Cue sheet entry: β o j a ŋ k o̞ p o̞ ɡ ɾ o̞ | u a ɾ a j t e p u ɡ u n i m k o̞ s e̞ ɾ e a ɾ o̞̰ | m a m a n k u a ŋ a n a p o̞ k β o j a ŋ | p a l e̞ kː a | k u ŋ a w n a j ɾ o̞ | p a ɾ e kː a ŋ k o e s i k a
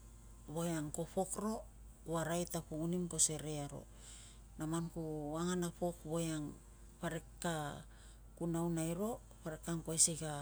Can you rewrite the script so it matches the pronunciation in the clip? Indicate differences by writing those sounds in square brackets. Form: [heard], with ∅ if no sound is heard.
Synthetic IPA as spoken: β o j a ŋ k o̞ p o̞ [k] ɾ o̞ | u a ɾ a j t [a] p u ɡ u n i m k o̞ s e̞ ɾ e a ɾ o̞̰ | [n] a m a n k u a ŋ a n a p o̞ k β o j a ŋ | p a [ɾ] e̞ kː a | k u [n] a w n a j ɾ o̞ | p a ɾ e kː a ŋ k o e s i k a